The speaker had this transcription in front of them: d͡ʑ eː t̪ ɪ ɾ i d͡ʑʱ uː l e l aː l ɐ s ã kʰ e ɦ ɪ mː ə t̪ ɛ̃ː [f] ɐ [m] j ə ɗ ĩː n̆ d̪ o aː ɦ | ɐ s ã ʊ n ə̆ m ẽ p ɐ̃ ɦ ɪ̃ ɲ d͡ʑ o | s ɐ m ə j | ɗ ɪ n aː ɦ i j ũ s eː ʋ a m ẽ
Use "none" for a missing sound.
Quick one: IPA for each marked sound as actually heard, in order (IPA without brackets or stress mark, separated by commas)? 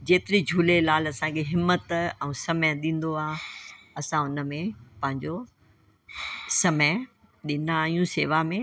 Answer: s, m